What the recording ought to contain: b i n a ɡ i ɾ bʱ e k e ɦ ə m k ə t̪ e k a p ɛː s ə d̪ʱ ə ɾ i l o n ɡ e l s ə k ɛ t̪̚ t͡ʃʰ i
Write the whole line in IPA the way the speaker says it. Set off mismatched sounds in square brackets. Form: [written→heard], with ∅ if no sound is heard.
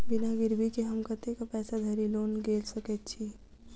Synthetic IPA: b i n a ɡ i ɾ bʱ [e→i] k e ɦ ə m k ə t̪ e k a p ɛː s [ə→a] d̪ʱ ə ɾ i l o n ɡ e l s ə k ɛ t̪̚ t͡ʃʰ i